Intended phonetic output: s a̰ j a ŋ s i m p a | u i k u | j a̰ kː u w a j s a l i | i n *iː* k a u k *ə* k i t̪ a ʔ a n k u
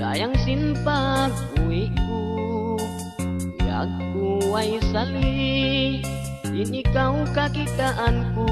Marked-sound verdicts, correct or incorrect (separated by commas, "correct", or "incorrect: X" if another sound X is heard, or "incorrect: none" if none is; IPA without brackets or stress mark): incorrect: i, incorrect: a